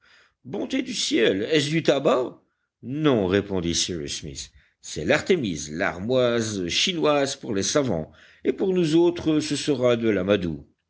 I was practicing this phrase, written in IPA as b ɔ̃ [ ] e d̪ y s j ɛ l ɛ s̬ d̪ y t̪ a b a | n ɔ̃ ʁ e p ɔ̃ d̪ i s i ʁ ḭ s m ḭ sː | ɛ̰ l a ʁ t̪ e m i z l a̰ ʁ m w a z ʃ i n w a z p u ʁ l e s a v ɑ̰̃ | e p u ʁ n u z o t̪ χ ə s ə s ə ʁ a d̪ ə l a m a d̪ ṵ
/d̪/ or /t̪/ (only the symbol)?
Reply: t̪